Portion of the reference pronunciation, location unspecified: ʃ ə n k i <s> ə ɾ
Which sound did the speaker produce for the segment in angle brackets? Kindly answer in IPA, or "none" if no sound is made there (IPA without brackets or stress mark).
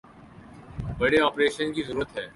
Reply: z